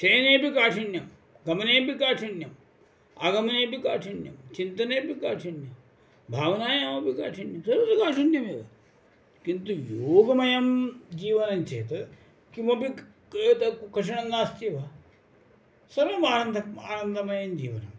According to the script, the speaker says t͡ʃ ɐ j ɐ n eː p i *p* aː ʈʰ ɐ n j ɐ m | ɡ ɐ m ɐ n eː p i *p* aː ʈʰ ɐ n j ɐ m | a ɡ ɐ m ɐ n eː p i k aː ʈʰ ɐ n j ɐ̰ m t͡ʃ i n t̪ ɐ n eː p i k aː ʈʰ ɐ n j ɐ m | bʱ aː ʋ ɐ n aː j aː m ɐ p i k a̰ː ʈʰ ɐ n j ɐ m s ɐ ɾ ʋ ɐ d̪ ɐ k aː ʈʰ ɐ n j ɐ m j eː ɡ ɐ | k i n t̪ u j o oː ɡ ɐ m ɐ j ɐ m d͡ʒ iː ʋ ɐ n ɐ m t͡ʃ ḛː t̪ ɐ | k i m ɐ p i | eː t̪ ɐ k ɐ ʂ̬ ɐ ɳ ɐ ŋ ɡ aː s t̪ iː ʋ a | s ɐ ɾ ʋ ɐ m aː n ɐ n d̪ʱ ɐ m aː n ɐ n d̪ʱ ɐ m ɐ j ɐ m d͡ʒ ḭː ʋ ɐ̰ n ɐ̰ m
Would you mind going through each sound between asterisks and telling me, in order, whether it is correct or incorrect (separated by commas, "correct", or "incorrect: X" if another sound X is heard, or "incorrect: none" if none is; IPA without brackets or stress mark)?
incorrect: k, incorrect: k